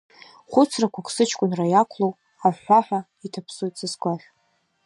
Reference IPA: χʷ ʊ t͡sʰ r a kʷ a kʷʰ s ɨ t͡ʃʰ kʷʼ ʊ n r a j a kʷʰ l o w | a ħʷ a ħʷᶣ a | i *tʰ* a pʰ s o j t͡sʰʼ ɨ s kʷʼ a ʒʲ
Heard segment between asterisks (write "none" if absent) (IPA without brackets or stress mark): tʰ